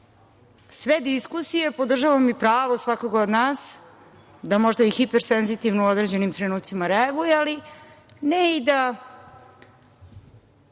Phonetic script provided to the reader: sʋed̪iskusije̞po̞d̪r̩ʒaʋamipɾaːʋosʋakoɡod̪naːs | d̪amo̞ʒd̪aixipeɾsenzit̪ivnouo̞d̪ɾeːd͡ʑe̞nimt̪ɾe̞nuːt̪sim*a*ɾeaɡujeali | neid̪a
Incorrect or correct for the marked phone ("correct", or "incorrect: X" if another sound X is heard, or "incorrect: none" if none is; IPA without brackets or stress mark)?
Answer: correct